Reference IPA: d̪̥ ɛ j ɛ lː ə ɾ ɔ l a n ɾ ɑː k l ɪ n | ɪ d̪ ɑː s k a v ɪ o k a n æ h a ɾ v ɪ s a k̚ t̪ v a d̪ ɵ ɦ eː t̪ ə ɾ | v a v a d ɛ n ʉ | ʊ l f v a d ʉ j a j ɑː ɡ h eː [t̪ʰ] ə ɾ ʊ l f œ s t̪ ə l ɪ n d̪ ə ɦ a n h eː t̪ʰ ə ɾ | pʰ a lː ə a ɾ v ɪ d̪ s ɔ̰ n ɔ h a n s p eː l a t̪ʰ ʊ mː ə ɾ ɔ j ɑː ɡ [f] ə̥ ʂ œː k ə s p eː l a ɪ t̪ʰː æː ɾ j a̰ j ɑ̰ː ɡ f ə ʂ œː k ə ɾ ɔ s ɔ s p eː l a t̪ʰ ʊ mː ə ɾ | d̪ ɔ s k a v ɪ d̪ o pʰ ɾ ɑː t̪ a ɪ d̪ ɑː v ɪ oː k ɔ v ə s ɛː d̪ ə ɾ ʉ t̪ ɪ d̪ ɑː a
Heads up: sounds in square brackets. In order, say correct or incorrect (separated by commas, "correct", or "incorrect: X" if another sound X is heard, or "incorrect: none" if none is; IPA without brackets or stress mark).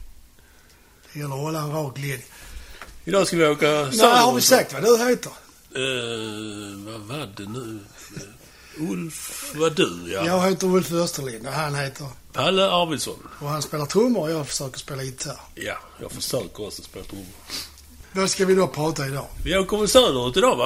incorrect: t̪, correct